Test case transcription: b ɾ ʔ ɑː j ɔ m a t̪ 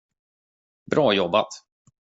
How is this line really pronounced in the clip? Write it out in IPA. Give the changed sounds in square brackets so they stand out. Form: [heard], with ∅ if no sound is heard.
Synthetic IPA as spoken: b ɾ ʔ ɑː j ɔ [b] a t̪